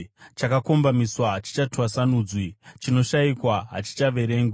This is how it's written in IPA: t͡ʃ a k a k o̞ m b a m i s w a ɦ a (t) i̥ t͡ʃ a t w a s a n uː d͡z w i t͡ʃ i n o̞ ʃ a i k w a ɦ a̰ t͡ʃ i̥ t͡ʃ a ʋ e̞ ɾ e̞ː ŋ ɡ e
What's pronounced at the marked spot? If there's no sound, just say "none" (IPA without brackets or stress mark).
t͡ʃ